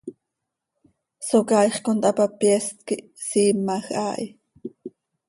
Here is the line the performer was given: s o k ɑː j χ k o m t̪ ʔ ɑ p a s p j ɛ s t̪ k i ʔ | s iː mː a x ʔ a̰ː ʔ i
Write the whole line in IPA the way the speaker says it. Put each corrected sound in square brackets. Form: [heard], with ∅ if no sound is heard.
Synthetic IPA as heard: s o k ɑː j χ k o [n] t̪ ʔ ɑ p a [∅] p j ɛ s t̪ k i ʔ | s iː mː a x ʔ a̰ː ʔ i